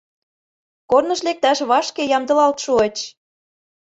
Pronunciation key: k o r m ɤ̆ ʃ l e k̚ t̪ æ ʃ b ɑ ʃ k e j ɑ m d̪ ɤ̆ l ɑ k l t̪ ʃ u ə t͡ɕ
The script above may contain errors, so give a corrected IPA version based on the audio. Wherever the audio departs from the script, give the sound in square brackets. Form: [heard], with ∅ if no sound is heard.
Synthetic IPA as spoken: k o r [n] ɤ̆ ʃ l e k̚ t̪ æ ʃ [β] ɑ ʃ k e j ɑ m d̪ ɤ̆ l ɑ [∅] l t̪ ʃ u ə t͡ɕ